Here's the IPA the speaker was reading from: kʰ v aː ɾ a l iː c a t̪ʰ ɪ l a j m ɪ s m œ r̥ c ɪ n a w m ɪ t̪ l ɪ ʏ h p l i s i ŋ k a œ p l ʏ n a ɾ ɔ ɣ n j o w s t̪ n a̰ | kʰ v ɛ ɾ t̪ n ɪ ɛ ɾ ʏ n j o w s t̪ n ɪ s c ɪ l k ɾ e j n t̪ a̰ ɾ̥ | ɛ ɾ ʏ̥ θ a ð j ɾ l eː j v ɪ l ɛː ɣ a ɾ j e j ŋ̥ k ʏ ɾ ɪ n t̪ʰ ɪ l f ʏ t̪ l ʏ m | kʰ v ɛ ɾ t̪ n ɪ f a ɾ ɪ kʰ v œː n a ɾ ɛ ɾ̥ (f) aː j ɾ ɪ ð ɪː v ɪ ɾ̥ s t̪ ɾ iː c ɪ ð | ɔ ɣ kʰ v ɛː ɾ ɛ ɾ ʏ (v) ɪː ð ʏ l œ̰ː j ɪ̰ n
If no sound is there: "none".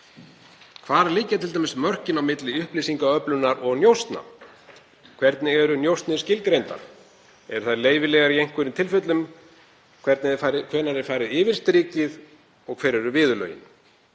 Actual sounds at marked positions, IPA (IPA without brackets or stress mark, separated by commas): f, v